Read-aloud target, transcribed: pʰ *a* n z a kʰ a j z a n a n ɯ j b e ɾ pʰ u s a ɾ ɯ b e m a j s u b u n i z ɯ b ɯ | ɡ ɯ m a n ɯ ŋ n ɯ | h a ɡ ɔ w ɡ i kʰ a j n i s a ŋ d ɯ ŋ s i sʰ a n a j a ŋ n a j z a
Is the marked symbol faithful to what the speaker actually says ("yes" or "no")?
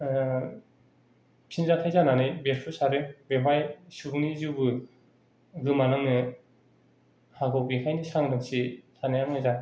no